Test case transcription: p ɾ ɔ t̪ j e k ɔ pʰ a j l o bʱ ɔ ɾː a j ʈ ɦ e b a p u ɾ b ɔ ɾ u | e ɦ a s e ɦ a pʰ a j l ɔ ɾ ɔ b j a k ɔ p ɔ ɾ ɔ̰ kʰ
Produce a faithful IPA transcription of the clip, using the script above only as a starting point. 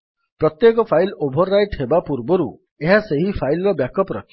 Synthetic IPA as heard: p ɾ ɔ t̪ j e k ɔ pʰ a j l o bʱ ɔ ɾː a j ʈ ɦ e b a p u ɾ b ɔ ɾ u | e ɦ a s e ɦ i pʰ a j l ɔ ɾ ɔ b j a k ɔ p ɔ ɾ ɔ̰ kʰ